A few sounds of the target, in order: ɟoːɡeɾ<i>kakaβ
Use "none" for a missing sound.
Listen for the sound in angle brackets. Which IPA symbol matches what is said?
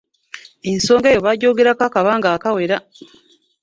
a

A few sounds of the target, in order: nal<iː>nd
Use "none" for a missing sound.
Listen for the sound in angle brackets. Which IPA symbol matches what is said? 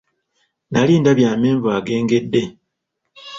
iː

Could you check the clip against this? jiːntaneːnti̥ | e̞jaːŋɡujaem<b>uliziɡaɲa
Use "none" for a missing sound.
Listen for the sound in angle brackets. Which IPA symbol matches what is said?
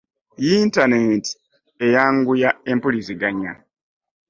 p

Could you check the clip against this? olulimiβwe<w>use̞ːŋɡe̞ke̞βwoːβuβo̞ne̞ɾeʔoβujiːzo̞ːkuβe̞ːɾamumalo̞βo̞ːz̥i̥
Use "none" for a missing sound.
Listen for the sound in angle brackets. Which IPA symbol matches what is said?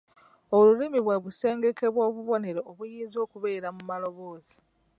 β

